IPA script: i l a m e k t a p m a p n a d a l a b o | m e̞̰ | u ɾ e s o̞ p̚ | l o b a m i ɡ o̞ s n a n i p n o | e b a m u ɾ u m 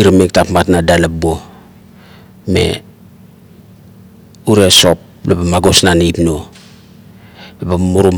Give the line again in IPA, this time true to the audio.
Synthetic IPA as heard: i ɾ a m e k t a p m a t n a d a l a b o | m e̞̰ | u ɾ e s o̞ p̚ | l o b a m a ɡ o̞ s n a n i p n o | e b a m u ɾ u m